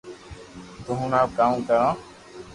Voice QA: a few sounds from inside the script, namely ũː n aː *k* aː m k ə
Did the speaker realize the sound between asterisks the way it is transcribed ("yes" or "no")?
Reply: yes